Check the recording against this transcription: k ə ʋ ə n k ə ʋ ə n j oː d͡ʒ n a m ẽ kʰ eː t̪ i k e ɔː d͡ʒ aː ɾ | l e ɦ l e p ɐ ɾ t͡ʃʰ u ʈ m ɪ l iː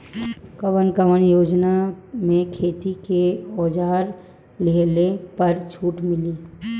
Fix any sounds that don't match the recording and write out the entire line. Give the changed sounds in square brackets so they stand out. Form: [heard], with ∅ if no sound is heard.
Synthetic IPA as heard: k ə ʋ ə n k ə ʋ ə n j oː d͡ʒ n a m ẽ kʰ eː t̪ i k e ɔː d͡ʒ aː ɾ | l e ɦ l e p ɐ ɾ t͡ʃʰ [uː] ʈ m ɪ l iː

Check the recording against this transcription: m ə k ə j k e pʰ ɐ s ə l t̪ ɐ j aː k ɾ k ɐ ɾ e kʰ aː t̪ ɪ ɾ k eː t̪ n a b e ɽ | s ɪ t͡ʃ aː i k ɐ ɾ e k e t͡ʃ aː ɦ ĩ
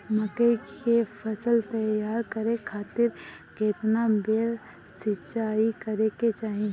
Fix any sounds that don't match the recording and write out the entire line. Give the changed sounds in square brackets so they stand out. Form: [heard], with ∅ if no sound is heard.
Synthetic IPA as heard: m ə k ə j k e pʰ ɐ s ə l t̪ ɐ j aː [∅] ɾ k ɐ ɾ e kʰ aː t̪ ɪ ɾ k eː t̪ n a b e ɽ | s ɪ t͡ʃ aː i k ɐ ɾ e k e t͡ʃ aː ɦ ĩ

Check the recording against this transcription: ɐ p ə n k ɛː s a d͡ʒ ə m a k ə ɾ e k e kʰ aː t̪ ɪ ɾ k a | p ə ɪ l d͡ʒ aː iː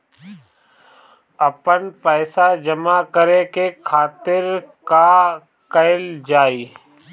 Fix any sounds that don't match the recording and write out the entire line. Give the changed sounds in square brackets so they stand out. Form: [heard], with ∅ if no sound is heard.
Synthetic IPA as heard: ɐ p ə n [p] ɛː s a d͡ʒ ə m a k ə ɾ e k e kʰ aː t̪ ɪ ɾ k a | [k] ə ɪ l d͡ʒ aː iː

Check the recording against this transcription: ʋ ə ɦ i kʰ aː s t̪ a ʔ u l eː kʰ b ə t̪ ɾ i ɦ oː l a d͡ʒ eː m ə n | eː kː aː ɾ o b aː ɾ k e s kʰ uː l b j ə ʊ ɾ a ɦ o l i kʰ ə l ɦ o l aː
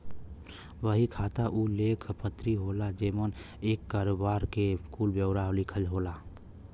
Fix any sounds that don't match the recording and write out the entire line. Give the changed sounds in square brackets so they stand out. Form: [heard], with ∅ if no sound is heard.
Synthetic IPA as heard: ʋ ə ɦ i kʰ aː [∅] t̪ a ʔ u l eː kʰ [p] ə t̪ ɾ i ɦ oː l a d͡ʒ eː m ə n | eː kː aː ɾ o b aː ɾ k e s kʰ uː l b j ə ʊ ɾ a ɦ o l i kʰ ə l ɦ o l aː

